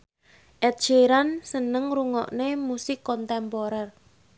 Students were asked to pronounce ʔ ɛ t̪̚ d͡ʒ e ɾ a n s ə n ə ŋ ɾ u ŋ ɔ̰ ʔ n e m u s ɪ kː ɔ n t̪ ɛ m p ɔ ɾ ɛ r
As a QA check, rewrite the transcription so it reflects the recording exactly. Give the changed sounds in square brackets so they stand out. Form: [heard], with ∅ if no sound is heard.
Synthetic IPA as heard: ʔ ɛ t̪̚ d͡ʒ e ɾ a n s ə n ə ŋ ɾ u ŋ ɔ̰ ʔ n e m u s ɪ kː ɔ n t̪ ɛ m p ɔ ɾ ɛ r